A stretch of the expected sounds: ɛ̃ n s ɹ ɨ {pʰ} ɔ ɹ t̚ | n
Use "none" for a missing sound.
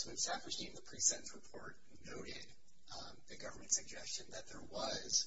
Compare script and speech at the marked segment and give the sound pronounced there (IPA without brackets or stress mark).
pʰ